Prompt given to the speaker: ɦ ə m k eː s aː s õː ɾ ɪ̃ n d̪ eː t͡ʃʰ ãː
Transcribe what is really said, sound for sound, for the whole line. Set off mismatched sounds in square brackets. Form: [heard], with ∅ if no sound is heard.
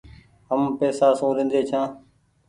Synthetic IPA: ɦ ə m [p] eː s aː s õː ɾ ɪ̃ n d̪ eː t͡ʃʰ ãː